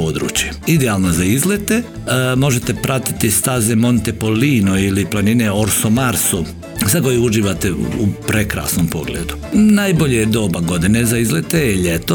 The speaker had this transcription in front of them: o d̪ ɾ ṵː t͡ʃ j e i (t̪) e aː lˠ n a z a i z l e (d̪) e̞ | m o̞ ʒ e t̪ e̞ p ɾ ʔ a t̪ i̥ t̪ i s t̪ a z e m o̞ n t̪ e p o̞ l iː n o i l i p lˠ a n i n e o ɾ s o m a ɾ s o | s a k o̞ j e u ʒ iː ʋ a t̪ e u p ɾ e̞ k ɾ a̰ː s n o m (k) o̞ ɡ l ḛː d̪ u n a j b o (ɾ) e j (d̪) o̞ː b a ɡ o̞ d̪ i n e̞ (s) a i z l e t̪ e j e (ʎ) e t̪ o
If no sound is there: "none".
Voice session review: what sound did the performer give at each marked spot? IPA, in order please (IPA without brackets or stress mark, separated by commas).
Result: d̪, t̪, p, ʎ, d̪, z, ʎ